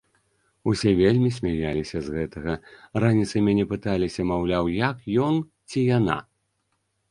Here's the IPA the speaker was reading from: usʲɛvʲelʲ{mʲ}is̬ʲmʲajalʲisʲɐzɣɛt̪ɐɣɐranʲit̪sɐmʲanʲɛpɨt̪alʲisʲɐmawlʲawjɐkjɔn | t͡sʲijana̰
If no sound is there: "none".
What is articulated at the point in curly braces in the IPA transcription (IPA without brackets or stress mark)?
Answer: mʲ